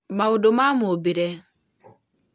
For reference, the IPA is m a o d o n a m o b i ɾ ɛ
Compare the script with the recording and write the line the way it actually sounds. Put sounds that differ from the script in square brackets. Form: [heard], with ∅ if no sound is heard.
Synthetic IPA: m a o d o [m] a m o b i ɾ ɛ